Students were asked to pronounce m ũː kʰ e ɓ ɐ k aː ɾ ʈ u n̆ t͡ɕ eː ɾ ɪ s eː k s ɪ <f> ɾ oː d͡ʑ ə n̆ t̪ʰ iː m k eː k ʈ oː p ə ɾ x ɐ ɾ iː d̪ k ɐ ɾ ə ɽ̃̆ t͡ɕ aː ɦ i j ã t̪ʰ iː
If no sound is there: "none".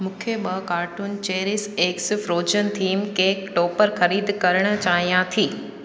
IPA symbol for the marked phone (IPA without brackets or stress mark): f